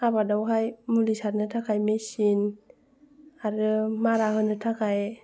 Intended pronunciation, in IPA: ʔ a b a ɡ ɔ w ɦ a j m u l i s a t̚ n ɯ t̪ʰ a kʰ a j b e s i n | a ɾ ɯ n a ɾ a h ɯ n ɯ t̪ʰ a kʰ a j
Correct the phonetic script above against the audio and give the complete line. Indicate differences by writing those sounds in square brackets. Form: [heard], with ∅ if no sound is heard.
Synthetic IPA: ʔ a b a [d] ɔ w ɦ a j m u l i s a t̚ n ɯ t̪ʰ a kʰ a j [m] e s i n | a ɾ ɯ [m] a ɾ a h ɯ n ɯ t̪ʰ a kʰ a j